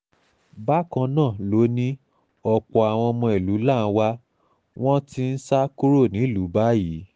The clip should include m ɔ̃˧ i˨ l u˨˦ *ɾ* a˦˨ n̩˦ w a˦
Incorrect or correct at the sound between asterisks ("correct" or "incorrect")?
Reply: incorrect